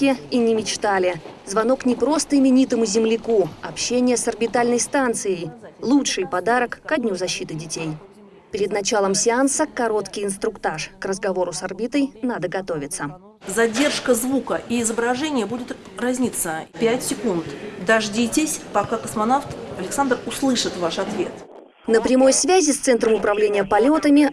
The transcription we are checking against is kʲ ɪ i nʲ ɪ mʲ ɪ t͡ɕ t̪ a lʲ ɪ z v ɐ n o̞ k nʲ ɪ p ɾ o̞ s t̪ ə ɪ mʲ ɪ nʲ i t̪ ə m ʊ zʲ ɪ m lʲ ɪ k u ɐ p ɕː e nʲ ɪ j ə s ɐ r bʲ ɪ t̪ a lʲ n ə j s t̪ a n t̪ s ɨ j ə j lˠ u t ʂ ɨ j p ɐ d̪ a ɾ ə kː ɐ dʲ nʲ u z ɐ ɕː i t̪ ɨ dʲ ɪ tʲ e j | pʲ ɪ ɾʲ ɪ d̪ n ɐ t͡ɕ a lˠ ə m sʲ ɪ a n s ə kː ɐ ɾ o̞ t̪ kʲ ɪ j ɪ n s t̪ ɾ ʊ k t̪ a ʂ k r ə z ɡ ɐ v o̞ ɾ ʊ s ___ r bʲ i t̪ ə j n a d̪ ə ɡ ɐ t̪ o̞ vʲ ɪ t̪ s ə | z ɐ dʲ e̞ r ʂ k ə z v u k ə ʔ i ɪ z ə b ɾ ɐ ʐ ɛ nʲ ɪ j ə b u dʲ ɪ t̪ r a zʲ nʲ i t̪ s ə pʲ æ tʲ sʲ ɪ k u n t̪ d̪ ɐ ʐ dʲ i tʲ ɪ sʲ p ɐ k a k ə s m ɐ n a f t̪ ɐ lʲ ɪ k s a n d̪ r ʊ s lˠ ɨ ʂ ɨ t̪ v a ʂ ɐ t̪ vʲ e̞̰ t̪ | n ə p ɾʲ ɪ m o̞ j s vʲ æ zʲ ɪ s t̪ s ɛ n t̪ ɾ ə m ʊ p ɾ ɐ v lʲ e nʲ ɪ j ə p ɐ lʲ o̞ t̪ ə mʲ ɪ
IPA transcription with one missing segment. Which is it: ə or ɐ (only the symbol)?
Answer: ɐ